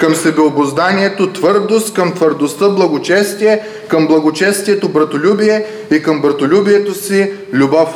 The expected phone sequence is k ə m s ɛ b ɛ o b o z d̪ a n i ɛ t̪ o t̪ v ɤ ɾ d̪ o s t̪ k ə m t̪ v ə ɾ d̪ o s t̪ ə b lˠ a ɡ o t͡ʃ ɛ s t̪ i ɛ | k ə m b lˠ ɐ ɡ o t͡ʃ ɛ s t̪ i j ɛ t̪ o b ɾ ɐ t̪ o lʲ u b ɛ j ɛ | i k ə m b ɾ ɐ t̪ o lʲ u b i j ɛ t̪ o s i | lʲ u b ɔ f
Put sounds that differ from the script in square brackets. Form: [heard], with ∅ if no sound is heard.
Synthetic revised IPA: k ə m s ɛ b ɛ o b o z d̪ a n i ɛ t̪ o t̪ v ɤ ɾ d̪ o s t̪ k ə m t̪ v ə ɾ d̪ o s t̪ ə b lˠ [ɐ] ɡ o t͡ʃ ɛ s t̪ i ɛ | k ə m b lˠ ɐ ɡ o t͡ʃ ɛ s t̪ i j ɛ t̪ o b ɾ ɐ t̪ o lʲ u b [i] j ɛ | i k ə m b ɾ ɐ t̪ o lʲ u b i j ɛ t̪ o s i | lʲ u b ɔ f